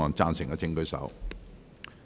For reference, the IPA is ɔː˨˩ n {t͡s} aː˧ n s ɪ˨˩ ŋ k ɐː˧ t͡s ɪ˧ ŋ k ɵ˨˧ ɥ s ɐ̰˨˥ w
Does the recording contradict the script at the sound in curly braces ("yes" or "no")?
no